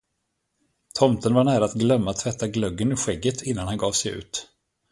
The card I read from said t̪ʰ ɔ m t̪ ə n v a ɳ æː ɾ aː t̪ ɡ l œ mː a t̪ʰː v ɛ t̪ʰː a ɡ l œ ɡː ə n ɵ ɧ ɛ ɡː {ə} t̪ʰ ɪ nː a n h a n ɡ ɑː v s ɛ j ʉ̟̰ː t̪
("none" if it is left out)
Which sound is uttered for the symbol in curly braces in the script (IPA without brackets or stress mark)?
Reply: ə